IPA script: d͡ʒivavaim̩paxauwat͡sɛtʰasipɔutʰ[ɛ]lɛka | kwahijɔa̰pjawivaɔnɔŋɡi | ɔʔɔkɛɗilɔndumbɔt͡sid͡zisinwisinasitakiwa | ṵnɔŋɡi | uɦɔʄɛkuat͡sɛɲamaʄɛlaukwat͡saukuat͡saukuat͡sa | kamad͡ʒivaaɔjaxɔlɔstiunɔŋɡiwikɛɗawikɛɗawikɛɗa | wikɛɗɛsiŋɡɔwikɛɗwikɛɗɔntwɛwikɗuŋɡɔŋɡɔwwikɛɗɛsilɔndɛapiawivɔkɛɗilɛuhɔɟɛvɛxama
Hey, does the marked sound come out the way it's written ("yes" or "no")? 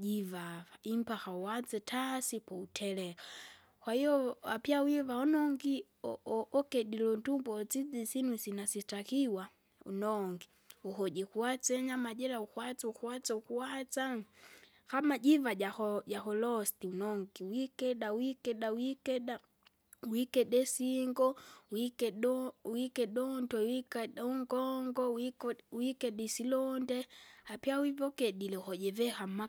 yes